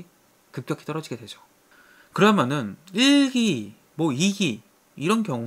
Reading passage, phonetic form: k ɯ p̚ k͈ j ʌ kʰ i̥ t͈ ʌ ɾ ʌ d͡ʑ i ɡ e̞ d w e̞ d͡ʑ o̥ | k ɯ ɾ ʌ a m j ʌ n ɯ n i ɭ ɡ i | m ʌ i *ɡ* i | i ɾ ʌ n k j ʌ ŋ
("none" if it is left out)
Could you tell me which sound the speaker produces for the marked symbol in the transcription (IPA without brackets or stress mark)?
ɡ